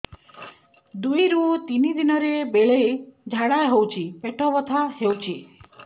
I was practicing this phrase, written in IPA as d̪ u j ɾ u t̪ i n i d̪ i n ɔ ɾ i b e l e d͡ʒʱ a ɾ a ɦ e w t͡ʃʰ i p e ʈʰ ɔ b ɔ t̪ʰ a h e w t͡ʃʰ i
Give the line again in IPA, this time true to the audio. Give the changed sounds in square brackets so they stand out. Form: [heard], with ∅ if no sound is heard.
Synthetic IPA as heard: d̪ u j ɾ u t̪ i n i d̪ i n ɔ ɾ [e] b e [ɭ] e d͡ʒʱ a [ɽ] a ɦ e w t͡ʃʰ i p e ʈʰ ɔ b ɔ t̪ʰ a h e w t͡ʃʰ i